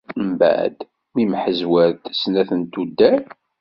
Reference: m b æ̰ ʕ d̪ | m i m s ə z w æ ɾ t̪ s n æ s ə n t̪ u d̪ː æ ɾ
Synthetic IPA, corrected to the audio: m b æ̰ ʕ d̪ | m i m ħ ə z w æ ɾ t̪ s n æ θ ə n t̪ u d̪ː æ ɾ